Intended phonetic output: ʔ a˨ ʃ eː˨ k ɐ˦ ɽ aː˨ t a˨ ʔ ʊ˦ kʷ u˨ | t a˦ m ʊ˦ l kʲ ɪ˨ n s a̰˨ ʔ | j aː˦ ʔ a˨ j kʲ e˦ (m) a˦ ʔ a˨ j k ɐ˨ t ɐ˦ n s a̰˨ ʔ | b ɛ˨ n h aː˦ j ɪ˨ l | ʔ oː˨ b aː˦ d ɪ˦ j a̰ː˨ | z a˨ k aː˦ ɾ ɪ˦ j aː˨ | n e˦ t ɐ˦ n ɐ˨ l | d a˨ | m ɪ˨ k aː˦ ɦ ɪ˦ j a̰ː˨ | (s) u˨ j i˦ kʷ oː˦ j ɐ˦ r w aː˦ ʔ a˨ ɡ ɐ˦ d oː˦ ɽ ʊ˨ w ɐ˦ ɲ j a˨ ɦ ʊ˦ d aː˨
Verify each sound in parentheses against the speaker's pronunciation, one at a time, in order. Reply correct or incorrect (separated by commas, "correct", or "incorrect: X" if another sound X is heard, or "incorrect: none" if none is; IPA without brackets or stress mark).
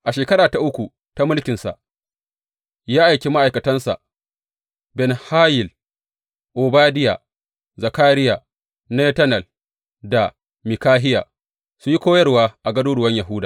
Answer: correct, correct